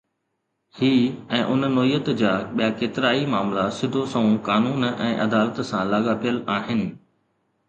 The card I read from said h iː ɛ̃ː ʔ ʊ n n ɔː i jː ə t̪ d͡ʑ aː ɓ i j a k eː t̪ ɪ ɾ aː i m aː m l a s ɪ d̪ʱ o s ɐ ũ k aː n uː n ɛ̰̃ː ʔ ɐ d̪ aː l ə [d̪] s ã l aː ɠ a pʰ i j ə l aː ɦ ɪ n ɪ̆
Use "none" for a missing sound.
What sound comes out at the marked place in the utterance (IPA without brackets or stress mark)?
t̪